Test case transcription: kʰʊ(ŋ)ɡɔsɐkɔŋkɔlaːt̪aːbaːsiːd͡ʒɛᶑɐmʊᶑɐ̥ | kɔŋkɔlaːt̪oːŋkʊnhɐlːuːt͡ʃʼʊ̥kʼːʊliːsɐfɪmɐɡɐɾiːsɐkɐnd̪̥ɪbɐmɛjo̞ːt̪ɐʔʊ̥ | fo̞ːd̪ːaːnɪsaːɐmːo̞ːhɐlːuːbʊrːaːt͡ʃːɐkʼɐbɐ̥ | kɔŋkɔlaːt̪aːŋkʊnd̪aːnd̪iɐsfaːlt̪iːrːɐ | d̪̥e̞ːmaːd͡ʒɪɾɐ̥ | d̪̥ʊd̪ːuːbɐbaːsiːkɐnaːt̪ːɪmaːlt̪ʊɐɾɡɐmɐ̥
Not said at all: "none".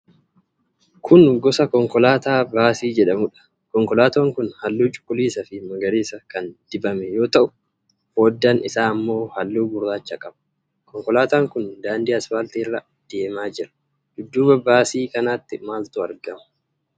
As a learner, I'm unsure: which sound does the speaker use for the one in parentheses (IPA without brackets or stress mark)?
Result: n